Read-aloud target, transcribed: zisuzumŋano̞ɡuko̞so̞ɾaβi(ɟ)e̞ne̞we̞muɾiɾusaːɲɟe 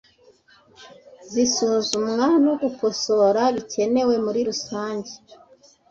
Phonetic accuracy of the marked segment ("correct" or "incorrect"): incorrect